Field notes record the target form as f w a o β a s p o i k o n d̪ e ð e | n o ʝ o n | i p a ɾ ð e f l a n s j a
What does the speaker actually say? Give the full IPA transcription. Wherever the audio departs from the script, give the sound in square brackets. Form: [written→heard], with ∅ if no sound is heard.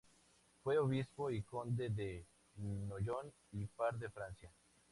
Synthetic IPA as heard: f w [a→e] o β [a→i] s p o i k o n d̪ e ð e | n o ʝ o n | i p a ɾ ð e f [l→ɾ] a n s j a